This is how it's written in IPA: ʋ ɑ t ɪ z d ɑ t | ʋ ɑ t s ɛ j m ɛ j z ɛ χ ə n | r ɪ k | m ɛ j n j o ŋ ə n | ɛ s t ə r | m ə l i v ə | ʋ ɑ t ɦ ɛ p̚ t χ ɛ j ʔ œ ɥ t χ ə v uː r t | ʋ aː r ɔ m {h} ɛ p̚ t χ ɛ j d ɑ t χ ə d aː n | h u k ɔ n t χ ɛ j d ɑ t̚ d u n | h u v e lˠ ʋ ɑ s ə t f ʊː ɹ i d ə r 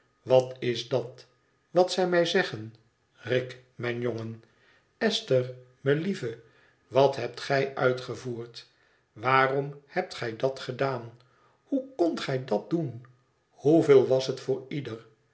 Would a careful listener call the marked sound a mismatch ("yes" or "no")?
no